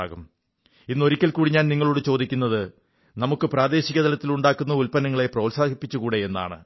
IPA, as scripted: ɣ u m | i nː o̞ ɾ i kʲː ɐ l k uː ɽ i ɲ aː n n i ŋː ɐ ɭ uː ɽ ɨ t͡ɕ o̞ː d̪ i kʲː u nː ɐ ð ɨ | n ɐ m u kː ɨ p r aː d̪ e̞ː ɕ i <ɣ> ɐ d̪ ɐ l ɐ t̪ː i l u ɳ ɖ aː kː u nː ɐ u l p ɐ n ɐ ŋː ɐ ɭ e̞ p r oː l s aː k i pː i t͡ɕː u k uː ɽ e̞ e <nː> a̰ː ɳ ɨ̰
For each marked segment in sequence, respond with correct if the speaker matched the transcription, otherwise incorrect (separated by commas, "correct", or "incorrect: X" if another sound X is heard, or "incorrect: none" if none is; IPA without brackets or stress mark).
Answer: correct, correct